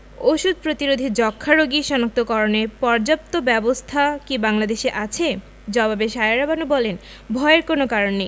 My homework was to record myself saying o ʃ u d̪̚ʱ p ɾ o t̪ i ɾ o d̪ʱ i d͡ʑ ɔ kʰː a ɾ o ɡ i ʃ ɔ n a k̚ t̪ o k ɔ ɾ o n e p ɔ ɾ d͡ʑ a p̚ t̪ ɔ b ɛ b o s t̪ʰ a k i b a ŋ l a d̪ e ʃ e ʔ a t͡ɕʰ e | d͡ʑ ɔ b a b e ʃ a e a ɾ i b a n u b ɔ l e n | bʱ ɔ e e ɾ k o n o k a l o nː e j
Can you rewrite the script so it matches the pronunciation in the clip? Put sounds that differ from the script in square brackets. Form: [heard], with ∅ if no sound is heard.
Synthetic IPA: o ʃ u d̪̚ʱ p ɾ o t̪ i ɾ o d̪ʱ i d͡ʑ ɔ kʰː a ɾ o ɡ i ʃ ɔ n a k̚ t̪ o k ɔ ɾ o n e p ɔ ɾ d͡ʑ a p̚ t̪ [o] b ɛ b o s t̪ʰ a k i b a ŋ l a d̪ e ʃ e ʔ a t͡ɕʰ e | d͡ʑ ɔ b a b e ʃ a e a ɾ [a] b a n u b ɔ l e n | bʱ ɔ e e ɾ k o n o k a [ɾ] o nː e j